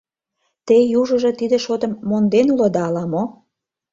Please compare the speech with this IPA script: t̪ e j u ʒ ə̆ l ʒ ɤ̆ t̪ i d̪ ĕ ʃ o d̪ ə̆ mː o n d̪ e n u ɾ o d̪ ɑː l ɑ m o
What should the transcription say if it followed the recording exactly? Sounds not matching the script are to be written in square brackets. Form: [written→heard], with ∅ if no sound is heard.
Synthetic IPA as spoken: t̪ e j u ʒ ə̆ [l→∅] ʒ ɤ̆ t̪ i d̪ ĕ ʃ o [d̪→t̪] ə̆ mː o n d̪ e n u [ɾ→l] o d̪ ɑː l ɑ m o